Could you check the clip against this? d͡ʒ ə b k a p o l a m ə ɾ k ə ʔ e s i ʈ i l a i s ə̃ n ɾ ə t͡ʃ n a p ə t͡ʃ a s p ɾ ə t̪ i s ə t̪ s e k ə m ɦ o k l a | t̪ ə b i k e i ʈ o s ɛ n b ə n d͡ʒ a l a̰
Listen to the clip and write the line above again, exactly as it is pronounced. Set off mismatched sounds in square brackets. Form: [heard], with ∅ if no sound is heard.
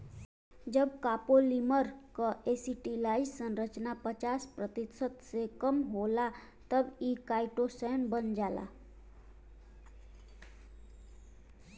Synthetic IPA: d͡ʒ ə b k a p o l [i] m ə ɾ k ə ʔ e s i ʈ i l a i s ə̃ n ɾ ə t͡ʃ n a p ə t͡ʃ a s p ɾ ə t̪ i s ə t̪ s e k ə m ɦ o [∅] l a | t̪ ə b i k [a] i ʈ o s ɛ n b ə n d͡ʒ a l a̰